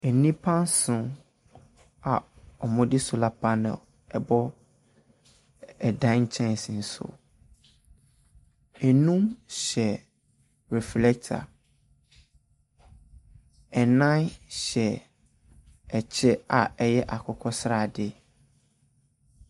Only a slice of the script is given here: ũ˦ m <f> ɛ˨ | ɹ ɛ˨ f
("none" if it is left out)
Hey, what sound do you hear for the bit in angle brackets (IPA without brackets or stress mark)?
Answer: ɕ